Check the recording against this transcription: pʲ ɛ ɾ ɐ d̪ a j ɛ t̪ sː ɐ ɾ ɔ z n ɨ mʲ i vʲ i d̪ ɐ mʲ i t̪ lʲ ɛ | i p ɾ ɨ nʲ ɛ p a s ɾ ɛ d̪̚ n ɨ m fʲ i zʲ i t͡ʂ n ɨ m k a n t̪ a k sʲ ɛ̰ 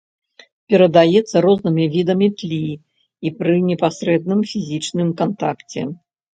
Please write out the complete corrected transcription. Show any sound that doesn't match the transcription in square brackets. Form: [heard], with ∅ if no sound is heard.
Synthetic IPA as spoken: pʲ ɛ ɾ ɐ d̪ a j ɛ t̪ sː ɐ ɾ ɔ z n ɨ mʲ i vʲ i d̪ ɐ mʲ i t̪ lʲ [i] | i p ɾ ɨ nʲ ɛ p a s ɾ ɛ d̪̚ n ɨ m fʲ i zʲ i t͡ʂ n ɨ m k a n t̪ a k [t͡sʲ] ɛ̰